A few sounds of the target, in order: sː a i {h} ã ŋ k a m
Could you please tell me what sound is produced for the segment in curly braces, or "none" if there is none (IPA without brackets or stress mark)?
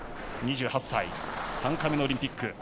s